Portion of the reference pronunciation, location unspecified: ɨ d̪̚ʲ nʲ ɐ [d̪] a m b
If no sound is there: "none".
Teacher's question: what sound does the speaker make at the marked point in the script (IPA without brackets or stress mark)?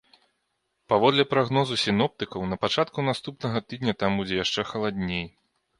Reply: t̪